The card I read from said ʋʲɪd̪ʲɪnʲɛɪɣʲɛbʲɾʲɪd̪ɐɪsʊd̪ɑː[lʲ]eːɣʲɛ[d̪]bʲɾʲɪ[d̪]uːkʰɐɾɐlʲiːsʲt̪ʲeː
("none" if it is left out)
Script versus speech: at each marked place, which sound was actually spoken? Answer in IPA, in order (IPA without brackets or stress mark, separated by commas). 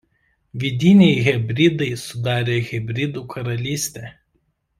ɾʲ, none, d̪